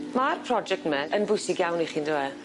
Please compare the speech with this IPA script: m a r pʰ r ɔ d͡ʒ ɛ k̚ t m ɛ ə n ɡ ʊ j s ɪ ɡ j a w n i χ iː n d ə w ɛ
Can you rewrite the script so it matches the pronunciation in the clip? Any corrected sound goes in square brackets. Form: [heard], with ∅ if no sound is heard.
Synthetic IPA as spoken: m a r pʰ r ɔ d͡ʒ ɛ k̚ t m ɛ ə n [b] ʊ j s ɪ ɡ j a w n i χ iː n d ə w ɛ